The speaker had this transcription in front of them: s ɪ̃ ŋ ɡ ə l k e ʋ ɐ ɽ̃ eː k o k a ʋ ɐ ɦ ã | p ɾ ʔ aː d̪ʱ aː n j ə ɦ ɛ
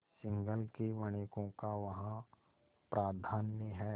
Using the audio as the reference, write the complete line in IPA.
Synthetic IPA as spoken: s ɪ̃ ŋ ɡ ə l k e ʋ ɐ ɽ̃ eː k õ k a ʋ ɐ ɦ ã | p ɾ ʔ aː d̪ʱ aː n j ə ɦ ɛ